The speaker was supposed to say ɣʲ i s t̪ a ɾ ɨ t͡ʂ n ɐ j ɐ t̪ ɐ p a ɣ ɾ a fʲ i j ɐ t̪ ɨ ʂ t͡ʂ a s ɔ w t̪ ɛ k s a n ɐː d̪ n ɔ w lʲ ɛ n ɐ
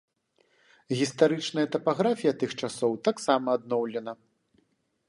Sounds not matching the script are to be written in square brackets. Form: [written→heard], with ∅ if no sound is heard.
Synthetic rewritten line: ɣʲ i s t̪ a ɾ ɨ t͡ʂ n ɐ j ɐ t̪ ɐ p a ɣ ɾ a fʲ i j ɐ t̪ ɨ [ʂ→x] t͡ʂ a s ɔ w t̪ [ɛ→a] k s a [n→m] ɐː d̪ n ɔ w lʲ ɛ n ɐ

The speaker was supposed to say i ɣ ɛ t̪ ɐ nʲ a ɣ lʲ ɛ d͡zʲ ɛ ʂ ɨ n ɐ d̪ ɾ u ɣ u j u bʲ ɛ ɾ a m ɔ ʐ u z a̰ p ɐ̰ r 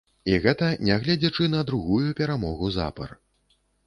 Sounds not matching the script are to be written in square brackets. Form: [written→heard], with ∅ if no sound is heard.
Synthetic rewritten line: i ɣ ɛ t̪ ɐ nʲ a ɣ lʲ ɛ d͡zʲ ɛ [ʂ→t͡ʂ] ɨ n ɐ d̪ ɾ u ɣ u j u [bʲ→pʲ] ɛ ɾ a m ɔ [ʐ→ɣ] u z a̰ p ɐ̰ r

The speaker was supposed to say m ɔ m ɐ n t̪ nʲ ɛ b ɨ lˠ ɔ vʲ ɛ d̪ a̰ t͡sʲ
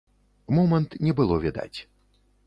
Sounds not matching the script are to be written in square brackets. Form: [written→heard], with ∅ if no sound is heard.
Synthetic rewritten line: m ɔ m ɐ n t̪ nʲ ɛ b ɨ lˠ ɔ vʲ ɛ d̪ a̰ t͡sʲ

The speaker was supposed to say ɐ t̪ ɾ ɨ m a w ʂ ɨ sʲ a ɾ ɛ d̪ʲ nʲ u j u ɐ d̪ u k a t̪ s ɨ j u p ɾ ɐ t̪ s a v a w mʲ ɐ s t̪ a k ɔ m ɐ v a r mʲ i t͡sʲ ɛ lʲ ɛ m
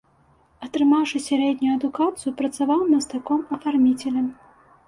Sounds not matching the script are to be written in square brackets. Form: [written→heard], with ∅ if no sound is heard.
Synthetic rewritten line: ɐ t̪ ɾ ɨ m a w ʂ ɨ sʲ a ɾ ɛ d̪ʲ nʲ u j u ɐ d̪ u k a t̪ s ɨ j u p ɾ ɐ t̪ s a v a w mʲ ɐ s t̪ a k ɔ m ɐ [v→f] a r mʲ i t͡sʲ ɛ lʲ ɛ m

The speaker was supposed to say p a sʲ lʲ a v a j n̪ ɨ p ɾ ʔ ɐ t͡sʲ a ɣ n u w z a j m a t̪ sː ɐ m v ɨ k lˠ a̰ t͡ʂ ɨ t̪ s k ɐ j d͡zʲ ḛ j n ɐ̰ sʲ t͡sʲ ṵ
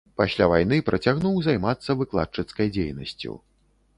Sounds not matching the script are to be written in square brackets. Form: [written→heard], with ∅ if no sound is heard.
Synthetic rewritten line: p a sʲ lʲ a v a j n̪ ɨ p ɾ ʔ ɐ t͡sʲ a ɣ n u w z a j m a t̪ sː ɐ [m→∅] v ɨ k lˠ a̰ t͡ʂ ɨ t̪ s k ɐ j d͡zʲ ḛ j n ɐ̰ sʲ t͡sʲ ṵ

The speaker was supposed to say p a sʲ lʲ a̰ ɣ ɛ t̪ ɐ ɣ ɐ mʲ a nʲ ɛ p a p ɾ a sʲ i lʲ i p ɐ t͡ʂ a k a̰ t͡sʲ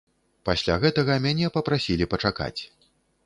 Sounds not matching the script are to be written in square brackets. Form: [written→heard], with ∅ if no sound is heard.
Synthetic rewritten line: p a sʲ lʲ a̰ ɣ ɛ t̪ ɐ ɣ ɐ mʲ a nʲ ɛ p [a→ɐ] p ɾ a sʲ i lʲ i p ɐ t͡ʂ a k a̰ t͡sʲ

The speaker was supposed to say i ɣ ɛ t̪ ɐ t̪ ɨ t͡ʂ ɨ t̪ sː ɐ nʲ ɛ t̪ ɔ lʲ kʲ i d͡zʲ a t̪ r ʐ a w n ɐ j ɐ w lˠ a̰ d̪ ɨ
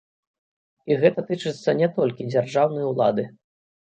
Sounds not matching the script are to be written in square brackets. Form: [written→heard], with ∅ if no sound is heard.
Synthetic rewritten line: i ɣ ɛ t̪ ɐ t̪ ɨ t͡ʂ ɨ t̪ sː ɐ nʲ ɛ t̪ ɔ lʲ kʲ i d͡zʲ a [t̪→∅] r ʐ a w n ɐ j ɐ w lˠ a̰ d̪ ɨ

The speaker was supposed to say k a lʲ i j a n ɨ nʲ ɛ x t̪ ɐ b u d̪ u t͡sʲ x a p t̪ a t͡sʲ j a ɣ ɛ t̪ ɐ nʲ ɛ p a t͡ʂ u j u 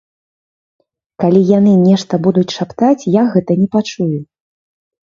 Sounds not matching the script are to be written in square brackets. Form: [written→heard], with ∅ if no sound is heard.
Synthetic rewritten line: k a lʲ i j a n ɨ nʲ ɛ [x→ʂ] t̪ ɐ b u d̪ u t͡sʲ [x→ʂ] a p t̪ a t͡sʲ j a ɣ ɛ t̪ ɐ nʲ ɛ p a t͡ʂ u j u

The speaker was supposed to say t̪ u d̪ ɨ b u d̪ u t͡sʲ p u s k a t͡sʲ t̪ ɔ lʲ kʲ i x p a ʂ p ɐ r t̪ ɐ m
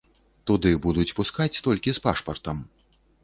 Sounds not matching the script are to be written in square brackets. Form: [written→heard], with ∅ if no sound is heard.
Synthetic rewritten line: t̪ u d̪ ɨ b u d̪ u t͡sʲ p u s k a t͡sʲ t̪ ɔ lʲ kʲ i [x→s] p a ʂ p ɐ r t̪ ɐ m

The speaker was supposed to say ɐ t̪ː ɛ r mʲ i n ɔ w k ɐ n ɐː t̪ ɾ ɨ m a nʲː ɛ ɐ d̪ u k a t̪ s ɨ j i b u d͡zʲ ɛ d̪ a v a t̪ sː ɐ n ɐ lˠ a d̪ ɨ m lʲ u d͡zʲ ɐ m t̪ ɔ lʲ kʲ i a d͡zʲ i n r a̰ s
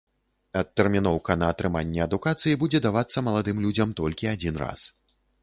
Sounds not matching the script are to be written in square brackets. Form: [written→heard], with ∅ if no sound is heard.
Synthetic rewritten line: ɐ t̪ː ɛ r mʲ i n ɔ w k ɐ n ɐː t̪ ɾ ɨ m a nʲː ɛ ɐ d̪ u k a t̪ s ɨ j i b u d͡zʲ ɛ d̪ a v a t̪ sː ɐ [n→m] ɐ lˠ a d̪ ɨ m lʲ u d͡zʲ ɐ m t̪ ɔ lʲ kʲ i a d͡zʲ i n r a̰ s

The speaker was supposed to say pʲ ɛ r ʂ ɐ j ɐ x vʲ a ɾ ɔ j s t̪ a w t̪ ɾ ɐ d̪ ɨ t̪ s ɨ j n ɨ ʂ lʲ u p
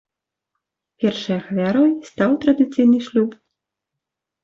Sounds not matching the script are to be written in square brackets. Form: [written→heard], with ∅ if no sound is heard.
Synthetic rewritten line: pʲ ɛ r ʂ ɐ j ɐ x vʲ a ɾ ɔ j s t̪ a w t̪ ɾ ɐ d̪ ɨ t̪ s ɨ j n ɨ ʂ lʲ u p

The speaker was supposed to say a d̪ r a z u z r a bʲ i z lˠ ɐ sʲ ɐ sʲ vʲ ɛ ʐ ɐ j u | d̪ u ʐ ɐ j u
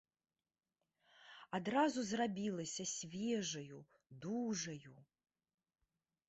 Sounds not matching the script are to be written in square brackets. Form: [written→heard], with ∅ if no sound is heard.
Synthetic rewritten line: a d̪ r a z u z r a bʲ i [z→∅] lˠ ɐ sʲ ɐ sʲ vʲ ɛ ʐ ɐ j u | d̪ u ʐ ɐ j u

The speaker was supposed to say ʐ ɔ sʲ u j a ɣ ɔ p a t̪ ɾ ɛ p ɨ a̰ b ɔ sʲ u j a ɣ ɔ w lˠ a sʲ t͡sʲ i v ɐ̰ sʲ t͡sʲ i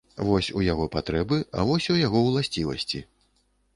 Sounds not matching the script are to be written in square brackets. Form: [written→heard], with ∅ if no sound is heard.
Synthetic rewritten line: [ʐ→v] ɔ sʲ u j a ɣ ɔ p a t̪ ɾ ɛ [p→b] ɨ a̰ [b→v] ɔ sʲ u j a ɣ ɔ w lˠ a sʲ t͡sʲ i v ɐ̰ sʲ t͡sʲ i

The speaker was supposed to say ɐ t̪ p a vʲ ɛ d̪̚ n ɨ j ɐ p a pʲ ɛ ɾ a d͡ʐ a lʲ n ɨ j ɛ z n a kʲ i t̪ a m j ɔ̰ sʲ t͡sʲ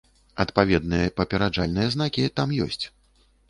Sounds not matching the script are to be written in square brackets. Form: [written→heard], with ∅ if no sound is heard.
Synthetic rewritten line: ɐ t̪ p a vʲ ɛ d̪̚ n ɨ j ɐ p [a→ɐ] pʲ ɛ ɾ a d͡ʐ a lʲ n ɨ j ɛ z n a kʲ i t̪ a m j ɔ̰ sʲ t͡sʲ

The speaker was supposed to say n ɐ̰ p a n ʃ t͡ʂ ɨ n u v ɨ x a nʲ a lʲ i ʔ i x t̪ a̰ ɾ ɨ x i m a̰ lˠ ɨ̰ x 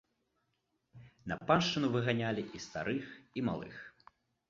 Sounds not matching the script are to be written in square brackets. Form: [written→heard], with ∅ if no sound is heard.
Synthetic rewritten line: n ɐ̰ p a n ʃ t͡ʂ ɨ n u v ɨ [x→ɣ] a nʲ a lʲ i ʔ i [x→s] t̪ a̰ ɾ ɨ x i m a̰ lˠ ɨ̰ x

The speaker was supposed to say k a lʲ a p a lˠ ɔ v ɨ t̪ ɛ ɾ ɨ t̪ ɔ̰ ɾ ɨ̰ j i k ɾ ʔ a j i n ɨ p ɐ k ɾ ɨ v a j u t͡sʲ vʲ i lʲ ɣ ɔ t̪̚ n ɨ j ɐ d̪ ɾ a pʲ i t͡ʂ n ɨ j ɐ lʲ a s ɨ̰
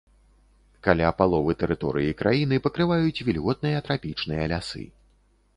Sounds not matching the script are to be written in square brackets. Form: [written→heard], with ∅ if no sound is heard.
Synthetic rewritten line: k a lʲ a p a lˠ ɔ v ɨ t̪ ɛ ɾ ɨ t̪ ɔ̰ ɾ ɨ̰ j i k ɾ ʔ a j i n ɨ p ɐ k ɾ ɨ v a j u t͡sʲ vʲ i lʲ ɣ ɔ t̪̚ n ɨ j ɐ [d̪→t̪] ɾ a pʲ i t͡ʂ n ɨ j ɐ lʲ a s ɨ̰

